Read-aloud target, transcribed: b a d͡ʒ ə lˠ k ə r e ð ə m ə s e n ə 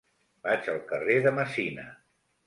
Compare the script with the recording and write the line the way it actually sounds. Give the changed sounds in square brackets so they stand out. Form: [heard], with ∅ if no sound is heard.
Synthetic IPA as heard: b a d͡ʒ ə lˠ k ə r e ð ə m ə s [i] n ə